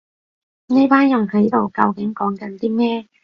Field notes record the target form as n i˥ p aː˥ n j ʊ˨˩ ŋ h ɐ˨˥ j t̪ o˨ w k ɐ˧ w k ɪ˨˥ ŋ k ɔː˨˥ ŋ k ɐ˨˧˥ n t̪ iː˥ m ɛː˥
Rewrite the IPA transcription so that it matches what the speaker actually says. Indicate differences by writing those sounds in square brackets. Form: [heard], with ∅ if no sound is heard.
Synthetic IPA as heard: n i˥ p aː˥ n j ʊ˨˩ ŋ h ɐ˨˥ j t̪ o˨ w k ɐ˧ w k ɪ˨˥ ŋ k ɔː˨˥ ŋ k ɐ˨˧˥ n t̪ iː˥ m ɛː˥

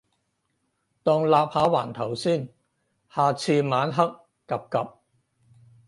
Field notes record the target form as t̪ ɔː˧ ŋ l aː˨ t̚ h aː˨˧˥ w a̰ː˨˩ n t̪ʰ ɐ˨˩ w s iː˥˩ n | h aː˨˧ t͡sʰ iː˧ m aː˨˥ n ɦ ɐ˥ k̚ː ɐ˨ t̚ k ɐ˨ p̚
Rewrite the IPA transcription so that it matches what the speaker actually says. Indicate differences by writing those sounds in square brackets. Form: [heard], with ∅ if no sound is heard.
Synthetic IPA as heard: t̪ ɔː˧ ŋ l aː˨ [p̚] h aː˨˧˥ w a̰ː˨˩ n t̪ʰ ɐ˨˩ w s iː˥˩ n | h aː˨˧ t͡sʰ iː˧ m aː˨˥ n ɦ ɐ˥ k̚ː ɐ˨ [p̚] k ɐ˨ p̚

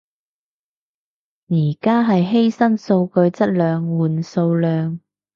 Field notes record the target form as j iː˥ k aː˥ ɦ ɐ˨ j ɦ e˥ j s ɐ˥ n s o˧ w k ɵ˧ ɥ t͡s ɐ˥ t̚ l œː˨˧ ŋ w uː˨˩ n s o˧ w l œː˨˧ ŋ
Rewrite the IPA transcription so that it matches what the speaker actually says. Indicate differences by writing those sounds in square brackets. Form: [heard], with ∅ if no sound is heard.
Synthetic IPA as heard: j [iː˨˩] k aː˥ ɦ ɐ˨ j ɦ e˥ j s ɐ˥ n s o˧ w k ɵ˧ ɥ t͡s ɐ˥ t̚ l œː˨˧ ŋ w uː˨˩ n s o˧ w l œː˨˧ ŋ

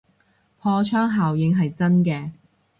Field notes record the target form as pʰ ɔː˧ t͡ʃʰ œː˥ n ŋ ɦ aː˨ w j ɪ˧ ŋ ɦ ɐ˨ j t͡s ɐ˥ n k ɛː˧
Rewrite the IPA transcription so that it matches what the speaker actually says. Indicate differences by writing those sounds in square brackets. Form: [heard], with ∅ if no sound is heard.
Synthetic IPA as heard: pʰ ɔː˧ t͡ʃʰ œː˥ [∅] ŋ ɦ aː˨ w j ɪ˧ ŋ ɦ ɐ˨ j t͡s ɐ˥ n k ɛː˧

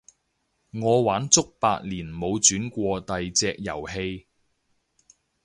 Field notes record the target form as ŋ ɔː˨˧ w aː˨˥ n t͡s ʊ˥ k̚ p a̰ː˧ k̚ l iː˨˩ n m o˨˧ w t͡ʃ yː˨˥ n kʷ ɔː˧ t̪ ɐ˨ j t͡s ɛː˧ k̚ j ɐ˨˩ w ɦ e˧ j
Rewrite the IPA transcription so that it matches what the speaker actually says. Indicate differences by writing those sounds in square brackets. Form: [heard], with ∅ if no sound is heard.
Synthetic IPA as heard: ŋ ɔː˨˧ w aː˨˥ n t͡s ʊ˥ k̚ p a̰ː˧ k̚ l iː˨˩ n m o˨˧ w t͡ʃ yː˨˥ n kʷ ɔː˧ t̪ ɐ˨ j t͡s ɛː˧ k̚ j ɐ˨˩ w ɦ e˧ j

